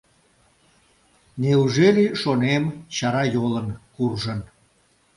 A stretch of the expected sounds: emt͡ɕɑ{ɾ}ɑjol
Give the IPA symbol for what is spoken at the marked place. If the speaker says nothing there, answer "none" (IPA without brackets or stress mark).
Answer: ɾ